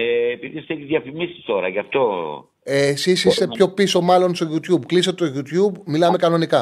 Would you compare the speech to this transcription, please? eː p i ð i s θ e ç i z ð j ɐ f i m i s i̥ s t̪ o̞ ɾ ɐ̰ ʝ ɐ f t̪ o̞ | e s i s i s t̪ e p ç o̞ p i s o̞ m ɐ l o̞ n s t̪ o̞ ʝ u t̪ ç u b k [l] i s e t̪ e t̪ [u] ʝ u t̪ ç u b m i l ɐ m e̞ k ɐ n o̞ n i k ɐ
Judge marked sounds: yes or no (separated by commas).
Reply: yes, no